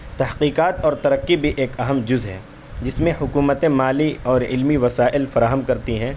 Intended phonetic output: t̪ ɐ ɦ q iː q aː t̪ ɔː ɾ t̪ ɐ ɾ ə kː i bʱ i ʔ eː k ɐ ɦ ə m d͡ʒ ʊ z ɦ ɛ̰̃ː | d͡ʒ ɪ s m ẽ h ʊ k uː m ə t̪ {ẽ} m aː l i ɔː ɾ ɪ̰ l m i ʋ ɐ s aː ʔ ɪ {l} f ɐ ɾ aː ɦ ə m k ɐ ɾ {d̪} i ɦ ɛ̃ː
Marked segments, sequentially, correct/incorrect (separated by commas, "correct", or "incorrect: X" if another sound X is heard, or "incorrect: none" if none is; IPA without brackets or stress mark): correct, correct, incorrect: t̪